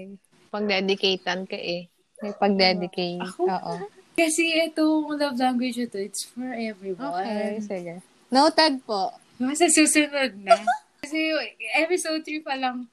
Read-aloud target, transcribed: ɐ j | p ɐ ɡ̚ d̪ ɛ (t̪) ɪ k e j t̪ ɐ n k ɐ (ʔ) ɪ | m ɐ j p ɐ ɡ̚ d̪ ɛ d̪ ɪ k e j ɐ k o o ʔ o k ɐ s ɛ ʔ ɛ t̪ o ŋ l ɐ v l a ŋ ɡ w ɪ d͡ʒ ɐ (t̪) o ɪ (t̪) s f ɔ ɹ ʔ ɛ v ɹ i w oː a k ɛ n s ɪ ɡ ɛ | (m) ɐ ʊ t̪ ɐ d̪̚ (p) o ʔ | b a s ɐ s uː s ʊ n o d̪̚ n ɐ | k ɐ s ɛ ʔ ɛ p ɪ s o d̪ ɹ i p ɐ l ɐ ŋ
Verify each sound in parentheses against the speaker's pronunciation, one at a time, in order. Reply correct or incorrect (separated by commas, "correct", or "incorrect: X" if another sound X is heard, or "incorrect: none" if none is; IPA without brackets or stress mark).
incorrect: d̪, correct, correct, correct, incorrect: n, correct